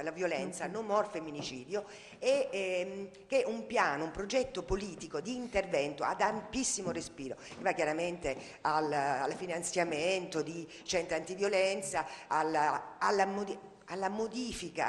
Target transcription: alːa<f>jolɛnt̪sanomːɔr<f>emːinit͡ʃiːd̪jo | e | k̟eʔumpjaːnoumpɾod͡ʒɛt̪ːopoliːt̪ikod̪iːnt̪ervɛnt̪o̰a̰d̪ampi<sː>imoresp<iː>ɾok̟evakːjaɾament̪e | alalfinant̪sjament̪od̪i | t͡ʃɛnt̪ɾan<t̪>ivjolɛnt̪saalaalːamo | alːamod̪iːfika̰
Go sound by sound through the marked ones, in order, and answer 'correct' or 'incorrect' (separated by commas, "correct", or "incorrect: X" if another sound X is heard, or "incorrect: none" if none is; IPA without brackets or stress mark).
incorrect: v, correct, correct, correct, correct